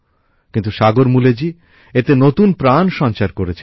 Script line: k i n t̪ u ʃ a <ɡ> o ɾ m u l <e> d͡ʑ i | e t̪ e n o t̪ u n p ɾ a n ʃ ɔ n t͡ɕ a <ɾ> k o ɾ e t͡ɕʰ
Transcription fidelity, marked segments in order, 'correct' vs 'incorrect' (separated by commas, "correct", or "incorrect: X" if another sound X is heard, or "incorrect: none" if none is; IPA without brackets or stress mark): correct, correct, correct